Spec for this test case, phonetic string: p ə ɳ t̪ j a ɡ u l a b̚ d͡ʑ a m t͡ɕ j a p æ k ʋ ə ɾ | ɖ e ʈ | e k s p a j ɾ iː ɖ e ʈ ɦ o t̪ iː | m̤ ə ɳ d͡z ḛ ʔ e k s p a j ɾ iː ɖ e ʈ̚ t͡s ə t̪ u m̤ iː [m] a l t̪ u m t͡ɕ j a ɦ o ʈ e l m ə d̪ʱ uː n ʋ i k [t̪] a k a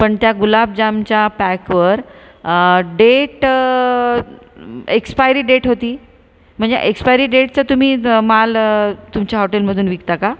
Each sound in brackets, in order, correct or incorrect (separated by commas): correct, correct